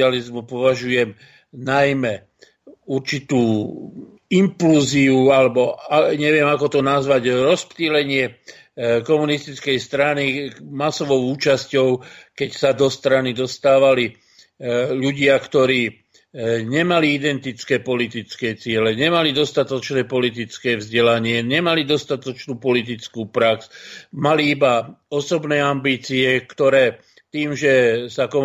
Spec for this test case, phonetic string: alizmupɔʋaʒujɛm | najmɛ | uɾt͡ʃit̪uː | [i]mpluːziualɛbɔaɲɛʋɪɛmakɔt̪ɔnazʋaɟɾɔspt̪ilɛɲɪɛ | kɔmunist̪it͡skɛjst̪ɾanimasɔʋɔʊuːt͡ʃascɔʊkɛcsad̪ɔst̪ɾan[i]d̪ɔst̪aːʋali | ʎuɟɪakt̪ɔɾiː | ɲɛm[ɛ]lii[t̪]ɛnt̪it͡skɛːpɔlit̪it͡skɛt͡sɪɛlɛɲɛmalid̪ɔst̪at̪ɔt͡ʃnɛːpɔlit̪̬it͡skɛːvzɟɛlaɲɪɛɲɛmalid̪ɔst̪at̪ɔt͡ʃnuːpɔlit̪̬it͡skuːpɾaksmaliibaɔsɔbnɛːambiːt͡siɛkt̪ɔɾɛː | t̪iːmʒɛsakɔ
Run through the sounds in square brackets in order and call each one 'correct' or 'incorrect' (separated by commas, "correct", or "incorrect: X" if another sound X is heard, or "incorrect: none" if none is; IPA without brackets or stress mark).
correct, correct, incorrect: a, incorrect: d̪